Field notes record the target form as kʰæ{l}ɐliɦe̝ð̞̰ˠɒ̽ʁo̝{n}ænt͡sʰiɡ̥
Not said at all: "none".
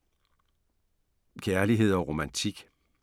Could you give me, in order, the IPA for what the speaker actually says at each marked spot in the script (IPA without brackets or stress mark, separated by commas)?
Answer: none, m